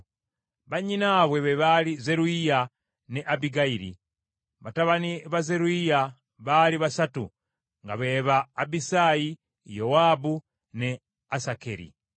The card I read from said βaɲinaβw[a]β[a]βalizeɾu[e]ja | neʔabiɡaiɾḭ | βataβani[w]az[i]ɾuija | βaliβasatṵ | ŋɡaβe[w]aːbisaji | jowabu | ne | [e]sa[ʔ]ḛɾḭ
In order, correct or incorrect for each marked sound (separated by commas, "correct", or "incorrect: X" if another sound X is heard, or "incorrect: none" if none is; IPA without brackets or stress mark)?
incorrect: e, incorrect: e, incorrect: i, incorrect: β, incorrect: e, incorrect: β, incorrect: a, incorrect: k